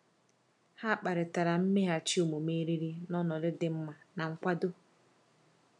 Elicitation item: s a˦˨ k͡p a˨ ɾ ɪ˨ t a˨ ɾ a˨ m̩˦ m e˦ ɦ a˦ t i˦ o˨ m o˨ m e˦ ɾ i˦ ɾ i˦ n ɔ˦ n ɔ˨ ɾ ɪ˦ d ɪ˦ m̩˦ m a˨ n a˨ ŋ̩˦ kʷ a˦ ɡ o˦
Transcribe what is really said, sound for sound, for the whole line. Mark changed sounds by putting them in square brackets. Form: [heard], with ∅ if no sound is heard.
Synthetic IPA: [h] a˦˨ k͡p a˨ ɾ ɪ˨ t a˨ ɾ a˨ m̩˦ m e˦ ɦ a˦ [t͡ʃ] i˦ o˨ m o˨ m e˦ ɾ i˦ ɾ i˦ n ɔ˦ n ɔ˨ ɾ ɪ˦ d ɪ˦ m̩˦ m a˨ n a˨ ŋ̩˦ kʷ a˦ [d] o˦